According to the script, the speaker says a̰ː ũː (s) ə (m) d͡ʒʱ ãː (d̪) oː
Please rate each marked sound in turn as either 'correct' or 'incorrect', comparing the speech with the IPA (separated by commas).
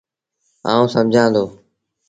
correct, correct, correct